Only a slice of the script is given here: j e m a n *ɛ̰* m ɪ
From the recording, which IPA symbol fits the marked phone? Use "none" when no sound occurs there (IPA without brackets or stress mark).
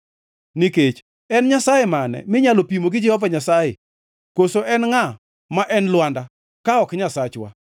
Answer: ɛ̰